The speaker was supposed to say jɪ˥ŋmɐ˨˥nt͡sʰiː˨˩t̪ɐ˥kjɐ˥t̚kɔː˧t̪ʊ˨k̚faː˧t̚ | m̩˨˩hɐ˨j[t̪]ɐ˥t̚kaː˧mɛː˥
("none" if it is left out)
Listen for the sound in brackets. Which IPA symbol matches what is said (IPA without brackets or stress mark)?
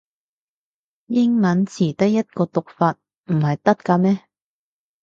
t̪